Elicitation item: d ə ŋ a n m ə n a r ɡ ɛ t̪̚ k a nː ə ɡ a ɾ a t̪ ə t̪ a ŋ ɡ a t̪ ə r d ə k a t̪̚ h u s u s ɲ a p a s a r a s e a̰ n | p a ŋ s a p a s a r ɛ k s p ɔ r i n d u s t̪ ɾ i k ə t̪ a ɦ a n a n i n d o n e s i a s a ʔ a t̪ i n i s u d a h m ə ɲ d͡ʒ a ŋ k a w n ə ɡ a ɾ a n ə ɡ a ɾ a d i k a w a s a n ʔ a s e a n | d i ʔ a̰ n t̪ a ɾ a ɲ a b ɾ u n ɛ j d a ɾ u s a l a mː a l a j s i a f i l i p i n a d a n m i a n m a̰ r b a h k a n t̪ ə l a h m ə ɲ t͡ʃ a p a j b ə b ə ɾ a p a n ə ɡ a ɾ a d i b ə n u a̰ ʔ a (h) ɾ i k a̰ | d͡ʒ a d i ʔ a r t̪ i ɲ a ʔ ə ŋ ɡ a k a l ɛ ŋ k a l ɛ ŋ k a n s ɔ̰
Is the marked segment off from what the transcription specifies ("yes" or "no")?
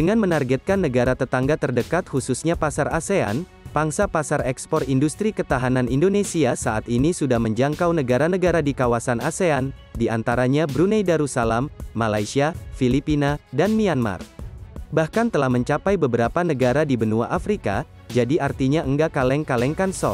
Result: yes